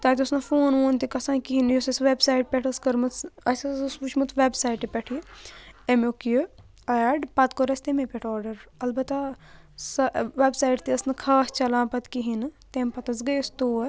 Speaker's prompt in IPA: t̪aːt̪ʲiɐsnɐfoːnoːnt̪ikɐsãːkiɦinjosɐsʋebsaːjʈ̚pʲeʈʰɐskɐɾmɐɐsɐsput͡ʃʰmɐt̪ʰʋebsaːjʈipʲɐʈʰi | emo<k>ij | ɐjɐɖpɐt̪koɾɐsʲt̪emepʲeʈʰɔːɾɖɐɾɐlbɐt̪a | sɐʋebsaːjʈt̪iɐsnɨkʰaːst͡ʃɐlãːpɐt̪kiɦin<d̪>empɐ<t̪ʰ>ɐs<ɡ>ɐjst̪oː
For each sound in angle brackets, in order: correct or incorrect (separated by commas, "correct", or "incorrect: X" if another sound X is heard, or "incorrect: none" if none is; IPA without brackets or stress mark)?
correct, incorrect: t̪, incorrect: t̪, correct